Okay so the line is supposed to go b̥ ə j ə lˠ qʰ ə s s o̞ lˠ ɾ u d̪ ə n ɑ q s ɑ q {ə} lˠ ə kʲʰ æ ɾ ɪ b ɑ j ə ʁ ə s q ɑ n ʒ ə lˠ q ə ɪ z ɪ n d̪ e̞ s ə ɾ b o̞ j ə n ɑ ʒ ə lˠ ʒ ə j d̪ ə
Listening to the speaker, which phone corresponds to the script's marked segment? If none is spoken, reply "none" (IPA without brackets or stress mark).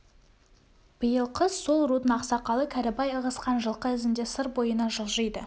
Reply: ɑ